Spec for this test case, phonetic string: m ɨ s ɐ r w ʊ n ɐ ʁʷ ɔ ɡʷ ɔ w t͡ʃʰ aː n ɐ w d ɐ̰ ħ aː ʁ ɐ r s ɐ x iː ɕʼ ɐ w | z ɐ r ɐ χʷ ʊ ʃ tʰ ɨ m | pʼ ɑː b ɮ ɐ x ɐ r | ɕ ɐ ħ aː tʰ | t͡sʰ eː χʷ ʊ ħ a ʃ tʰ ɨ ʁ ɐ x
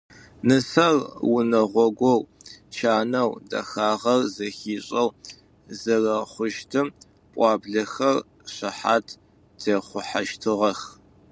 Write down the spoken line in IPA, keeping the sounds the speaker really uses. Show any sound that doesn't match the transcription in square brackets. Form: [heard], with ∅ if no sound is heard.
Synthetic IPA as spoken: [n] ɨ s ɐ r w ʊ n ɐ ʁʷ ɔ ɡʷ ɔ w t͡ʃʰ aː n ɐ w d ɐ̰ [x] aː ʁ ɐ r [z] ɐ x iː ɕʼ ɐ w | z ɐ r ɐ χʷ ʊ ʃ tʰ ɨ m | pʼ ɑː b ɮ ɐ x ɐ r | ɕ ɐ ħ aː tʰ | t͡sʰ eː χʷ ʊ ħ a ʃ tʰ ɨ ʁ ɐ x